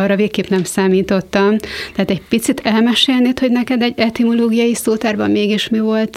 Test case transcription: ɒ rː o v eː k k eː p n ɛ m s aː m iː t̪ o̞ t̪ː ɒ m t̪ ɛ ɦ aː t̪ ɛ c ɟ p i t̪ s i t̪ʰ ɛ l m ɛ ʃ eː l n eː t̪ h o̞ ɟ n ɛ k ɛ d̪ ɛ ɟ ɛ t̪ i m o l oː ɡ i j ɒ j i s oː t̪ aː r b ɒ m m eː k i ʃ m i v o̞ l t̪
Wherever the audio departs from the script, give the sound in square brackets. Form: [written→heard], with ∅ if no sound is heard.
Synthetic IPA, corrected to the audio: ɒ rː [o→ɒ] v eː k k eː p n ɛ m s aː m iː t̪ o̞ t̪ː ɒ m t̪ ɛ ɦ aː t̪ ɛ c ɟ p i t̪ s i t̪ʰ ɛ l m ɛ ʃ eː l n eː t̪ h o̞ ɟ n ɛ k ɛ d̪ ɛ ɟ ɛ t̪ i m o l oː ɡ i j ɒ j i s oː t̪ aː r b ɒ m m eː [k→ɡ] i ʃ m i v o̞ l t̪